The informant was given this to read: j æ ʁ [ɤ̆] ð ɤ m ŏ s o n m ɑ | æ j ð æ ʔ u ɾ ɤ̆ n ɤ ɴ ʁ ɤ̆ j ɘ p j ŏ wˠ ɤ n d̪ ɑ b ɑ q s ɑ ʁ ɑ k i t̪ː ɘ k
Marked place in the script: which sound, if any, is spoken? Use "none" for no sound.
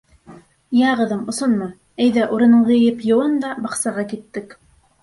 ɤ̆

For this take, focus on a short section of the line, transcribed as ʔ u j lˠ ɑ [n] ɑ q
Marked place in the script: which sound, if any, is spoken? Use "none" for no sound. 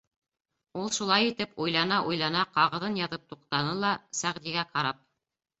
n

